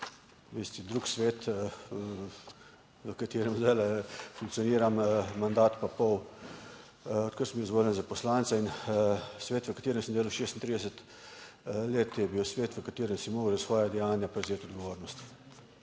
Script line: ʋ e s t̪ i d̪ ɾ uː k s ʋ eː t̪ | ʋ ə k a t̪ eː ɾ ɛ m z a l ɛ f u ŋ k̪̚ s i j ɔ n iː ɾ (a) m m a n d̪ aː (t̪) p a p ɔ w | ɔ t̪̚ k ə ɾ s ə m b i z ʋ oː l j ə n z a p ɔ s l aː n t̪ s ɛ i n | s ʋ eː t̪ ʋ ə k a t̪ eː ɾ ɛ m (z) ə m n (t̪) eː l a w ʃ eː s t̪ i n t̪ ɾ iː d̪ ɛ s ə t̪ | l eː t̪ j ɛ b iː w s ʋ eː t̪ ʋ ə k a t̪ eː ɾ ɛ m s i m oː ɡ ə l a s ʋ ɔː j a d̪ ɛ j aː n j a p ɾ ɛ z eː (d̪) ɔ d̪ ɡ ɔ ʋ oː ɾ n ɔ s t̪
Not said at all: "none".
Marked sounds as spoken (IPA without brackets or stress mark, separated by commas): a, t̪, s, d̪, t̪